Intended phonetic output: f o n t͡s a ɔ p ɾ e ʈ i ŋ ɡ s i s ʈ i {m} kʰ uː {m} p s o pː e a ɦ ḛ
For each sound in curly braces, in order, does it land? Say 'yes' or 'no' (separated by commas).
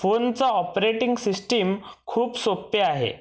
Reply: yes, no